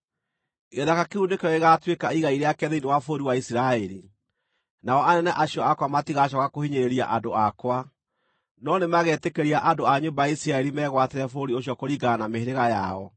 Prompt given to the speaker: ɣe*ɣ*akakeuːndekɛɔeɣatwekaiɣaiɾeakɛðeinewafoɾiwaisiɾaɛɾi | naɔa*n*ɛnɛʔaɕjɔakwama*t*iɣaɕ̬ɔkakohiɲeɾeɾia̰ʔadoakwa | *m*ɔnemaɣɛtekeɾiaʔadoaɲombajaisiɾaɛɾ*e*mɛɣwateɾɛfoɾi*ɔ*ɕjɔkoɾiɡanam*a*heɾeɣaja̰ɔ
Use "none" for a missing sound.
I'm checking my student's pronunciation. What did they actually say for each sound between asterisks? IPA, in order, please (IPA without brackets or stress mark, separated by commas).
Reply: ð, n, t, n, i, o, e